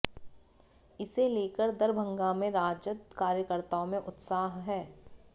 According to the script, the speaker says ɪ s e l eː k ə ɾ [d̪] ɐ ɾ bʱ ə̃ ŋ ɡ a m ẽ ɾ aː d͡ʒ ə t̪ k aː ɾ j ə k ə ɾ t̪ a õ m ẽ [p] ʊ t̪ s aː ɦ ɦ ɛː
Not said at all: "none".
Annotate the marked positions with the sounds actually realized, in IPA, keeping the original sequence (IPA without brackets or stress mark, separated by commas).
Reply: d̪, ʔ